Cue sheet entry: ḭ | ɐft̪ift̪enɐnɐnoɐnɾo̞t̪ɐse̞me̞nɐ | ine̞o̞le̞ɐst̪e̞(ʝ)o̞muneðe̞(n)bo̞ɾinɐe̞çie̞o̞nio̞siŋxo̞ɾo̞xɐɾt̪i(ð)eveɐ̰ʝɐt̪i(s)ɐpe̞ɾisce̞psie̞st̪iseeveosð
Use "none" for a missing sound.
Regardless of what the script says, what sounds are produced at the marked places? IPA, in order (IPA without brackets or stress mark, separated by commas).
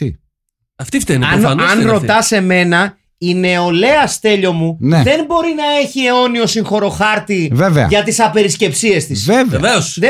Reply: ʎ, n, v, s